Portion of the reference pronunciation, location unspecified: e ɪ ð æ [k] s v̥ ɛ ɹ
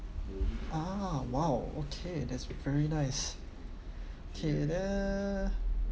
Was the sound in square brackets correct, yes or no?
no